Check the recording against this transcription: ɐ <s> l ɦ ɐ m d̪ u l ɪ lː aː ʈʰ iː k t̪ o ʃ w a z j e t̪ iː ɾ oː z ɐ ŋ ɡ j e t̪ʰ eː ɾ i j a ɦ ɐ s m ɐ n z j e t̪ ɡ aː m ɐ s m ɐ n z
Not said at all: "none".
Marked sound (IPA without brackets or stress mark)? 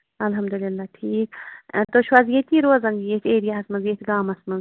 none